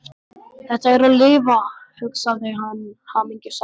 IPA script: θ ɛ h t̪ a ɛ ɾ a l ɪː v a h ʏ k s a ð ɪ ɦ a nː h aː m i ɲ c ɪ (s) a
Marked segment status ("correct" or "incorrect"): correct